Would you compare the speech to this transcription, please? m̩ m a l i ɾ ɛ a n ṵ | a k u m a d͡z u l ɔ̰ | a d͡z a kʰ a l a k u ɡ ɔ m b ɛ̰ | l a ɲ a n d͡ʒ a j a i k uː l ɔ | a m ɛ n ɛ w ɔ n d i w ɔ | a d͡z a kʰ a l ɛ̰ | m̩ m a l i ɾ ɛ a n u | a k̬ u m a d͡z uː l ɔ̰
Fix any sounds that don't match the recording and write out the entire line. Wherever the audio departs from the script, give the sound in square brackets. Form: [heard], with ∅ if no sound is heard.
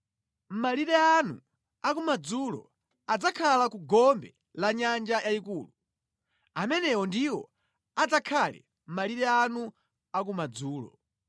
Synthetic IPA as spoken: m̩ m a l i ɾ ɛ a n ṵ | a k u m a d͡z u l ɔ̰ | a d͡z a kʰ a l a k u ɡ ɔ m b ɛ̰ | l a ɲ a n d͡ʒ a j a i k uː l [u] | a m ɛ n ɛ w ɔ n d i w ɔ | a d͡z a kʰ a l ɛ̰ | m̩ m a l i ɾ ɛ a n u | a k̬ u m a d͡z uː l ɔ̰

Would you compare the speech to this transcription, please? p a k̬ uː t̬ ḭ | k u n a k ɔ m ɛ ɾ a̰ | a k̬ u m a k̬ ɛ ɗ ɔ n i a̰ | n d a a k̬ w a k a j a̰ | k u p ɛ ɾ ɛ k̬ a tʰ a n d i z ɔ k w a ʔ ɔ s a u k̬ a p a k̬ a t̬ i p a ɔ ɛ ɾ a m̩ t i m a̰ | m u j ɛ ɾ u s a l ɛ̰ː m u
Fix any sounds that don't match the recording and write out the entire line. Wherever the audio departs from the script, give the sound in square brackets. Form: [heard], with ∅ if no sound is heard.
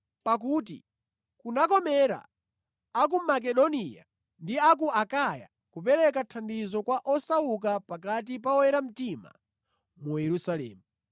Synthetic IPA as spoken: p a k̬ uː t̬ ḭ | k u n a k ɔ m ɛ ɾ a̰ | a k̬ u m a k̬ ɛ ɗ ɔ n i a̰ | n d [i] a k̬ [u] a k a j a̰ | k u p ɛ ɾ ɛ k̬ a tʰ a n d i z ɔ k w a ʔ ɔ s a u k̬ a p a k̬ a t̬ i p a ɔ ɛ ɾ a m̩ t i m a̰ | m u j ɛ ɾ u s a l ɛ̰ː m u

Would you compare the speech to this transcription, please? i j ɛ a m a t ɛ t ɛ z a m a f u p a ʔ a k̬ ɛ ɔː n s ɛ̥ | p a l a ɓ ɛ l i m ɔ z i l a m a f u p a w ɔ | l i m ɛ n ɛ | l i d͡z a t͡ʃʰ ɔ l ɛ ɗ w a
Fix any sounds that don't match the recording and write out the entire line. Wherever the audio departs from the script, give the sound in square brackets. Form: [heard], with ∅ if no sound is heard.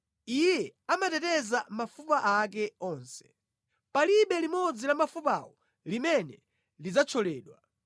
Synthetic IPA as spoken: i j ɛ a m a t ɛ t ɛ z a m a f u p a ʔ a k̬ ɛ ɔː n s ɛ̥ | p a l [i] ɓ ɛ l i m ɔ [d͡z] i l a m a f u p a w ɔ | l i m ɛ n ɛ | l i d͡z a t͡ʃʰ ɔ l [ɛː] ɗ w a

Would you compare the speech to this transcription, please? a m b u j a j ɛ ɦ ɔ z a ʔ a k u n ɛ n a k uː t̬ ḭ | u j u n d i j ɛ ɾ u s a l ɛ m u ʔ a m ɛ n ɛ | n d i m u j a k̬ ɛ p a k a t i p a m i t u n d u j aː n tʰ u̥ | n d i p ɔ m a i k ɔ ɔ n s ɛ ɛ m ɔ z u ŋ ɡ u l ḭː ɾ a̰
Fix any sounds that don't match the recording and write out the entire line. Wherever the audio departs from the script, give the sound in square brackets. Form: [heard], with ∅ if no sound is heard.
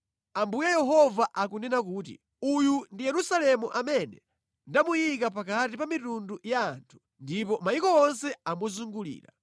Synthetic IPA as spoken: a m b u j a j ɛ ɦ ɔ [v] a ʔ a k u n ɛ n a k uː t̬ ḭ | u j u n d i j ɛ ɾ u s a l ɛ m u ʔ a m ɛ n ɛ | n d [a] m u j [i] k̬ [a] p a k a t i p a m i t u n d u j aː n tʰ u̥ | n d i p ɔ m a i k ɔ ɔ n s ɛ [a] m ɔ z u ŋ ɡ u l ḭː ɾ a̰

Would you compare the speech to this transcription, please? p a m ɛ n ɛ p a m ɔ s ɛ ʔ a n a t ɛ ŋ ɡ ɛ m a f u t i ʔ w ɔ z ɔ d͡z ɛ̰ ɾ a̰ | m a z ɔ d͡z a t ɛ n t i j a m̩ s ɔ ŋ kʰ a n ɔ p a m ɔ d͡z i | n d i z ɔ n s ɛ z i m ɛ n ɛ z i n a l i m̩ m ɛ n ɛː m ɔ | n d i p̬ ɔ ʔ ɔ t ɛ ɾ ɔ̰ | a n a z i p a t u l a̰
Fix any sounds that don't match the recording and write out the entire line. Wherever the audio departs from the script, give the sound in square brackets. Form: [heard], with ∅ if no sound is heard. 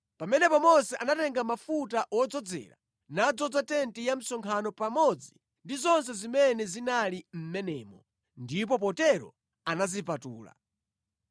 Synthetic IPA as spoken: p a m ɛ n ɛ p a m ɔ s ɛ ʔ a n a t ɛ ŋ ɡ [a] m a f u t [a] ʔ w ɔ [d͡z] ɔ d͡z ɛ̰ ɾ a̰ | [n] a [d͡z] ɔ d͡z a t ɛ n t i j a m̩ s ɔ ŋ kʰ a n ɔ p a m ɔ d͡z i | n d i z ɔ n s ɛ z i m ɛ n ɛ z i n a l i m̩ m ɛ n ɛː m ɔ | n d i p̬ ɔ [p] ɔ t ɛ ɾ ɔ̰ | a n a z i p a t [uː] l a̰

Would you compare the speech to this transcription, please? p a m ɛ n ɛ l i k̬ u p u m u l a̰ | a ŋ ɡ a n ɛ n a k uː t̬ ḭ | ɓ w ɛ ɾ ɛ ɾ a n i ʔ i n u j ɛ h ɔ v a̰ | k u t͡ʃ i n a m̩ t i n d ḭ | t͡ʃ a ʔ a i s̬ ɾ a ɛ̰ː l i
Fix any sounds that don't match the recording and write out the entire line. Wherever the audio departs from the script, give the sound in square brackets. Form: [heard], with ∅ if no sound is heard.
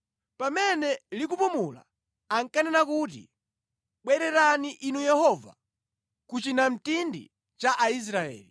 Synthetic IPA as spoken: p a m ɛ n ɛ l i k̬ u p u m u l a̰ | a ŋ [k] a n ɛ n a k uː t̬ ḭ | ɓ w ɛ ɾ ɛ ɾ a n i ʔ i n u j ɛ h ɔ v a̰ | k u t͡ʃ i n a m̩ t i n d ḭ | t͡ʃ a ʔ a i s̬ ɾ a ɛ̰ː l i

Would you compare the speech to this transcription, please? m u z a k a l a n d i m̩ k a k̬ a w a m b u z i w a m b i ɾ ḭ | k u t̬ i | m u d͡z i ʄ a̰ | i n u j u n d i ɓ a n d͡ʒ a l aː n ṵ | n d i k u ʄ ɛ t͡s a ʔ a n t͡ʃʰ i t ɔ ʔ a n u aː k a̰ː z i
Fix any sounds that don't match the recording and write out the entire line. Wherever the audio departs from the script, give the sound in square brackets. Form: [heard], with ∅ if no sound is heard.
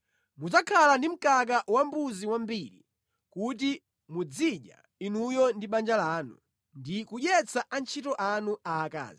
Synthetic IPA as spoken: m u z a [kʰ] a l a n d i m̩ k a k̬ a w a m b u z i w a m b i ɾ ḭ | k u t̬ i | m u d͡z i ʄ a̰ | i n u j [ɔ] n d i ɓ a n d͡ʒ a l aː n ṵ | n d i k u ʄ ɛ t͡s a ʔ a n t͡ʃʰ i t ɔ ʔ a n u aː k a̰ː z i

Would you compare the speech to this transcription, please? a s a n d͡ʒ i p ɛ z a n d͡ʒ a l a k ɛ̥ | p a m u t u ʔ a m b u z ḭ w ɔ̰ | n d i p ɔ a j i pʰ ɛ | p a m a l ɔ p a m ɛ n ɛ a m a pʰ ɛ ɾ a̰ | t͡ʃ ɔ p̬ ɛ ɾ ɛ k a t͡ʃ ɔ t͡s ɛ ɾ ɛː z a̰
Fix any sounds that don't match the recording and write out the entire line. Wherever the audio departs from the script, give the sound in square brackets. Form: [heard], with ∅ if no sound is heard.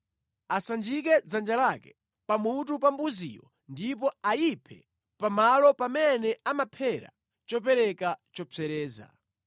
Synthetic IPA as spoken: a s a n d͡ʒ i [k] ɛ [d͡z] a n d͡ʒ a l a k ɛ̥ | p a m u t u [p] a m b u z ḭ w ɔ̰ | n d i p ɔ a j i pʰ ɛ | p a m a l ɔ p a m ɛ n ɛ a m a pʰ ɛ ɾ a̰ | t͡ʃ ɔ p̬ ɛ ɾ ɛ k a t͡ʃ ɔ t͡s ɛ ɾ ɛː z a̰

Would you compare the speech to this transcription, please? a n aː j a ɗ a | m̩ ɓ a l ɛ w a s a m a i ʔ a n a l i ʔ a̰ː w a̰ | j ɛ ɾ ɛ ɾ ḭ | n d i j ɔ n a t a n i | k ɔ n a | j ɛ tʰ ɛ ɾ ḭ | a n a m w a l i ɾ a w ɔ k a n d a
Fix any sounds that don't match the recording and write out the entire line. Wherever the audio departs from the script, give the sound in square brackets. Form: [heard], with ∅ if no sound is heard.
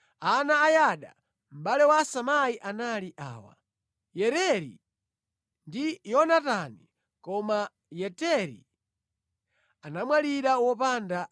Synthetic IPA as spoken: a n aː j a ɗ a | m̩ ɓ a l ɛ w a s a m a i ʔ a n a l i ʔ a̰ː w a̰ | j ɛ ɾ ɛ ɾ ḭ | n d i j ɔ n a t a n i | k ɔ [m] a | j ɛ [t] ɛ ɾ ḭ | a n a m w a l i ɾ a w ɔ [p] a n d a

